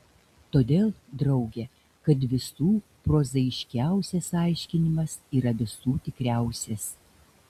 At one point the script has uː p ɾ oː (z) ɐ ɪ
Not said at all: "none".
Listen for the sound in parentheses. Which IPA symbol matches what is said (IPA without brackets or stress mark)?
z